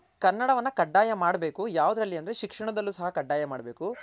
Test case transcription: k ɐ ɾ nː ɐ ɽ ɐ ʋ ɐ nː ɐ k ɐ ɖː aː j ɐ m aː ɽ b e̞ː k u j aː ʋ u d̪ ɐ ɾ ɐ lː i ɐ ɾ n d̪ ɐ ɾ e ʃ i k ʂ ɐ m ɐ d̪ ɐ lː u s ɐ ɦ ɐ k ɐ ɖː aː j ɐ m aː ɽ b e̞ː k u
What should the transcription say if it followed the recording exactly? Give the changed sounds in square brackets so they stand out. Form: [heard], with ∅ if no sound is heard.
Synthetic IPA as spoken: k ɐ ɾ nː ɐ ɽ ɐ ʋ ɐ nː ɐ k ɐ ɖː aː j ɐ m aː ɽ b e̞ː k u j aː ʋ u d̪ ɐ ɾ ɐ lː i ɐ [∅] n d̪ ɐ ɾ e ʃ i k ʂ ɐ [ɳ] ɐ d̪ ɐ lː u s ɐ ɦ ɐ k ɐ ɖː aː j ɐ m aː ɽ b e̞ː k u